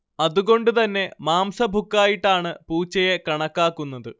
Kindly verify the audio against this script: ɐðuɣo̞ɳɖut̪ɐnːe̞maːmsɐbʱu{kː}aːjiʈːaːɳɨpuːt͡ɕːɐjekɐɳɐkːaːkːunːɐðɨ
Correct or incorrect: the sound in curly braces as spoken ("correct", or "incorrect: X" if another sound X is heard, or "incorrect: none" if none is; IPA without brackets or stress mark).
correct